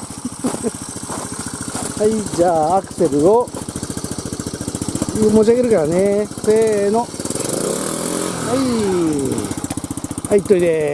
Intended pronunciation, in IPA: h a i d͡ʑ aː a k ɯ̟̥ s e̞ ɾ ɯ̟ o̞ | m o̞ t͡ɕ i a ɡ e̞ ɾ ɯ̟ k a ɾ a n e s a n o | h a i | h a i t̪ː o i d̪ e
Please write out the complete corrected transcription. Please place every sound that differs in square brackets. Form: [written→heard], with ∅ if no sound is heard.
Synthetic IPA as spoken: h a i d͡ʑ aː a k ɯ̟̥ s e̞ ɾ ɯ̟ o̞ | m o̞ t͡ɕ i a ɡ e̞ ɾ ɯ̟ k a ɾ a n e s [a→e] n o | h a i | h a i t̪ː o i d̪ e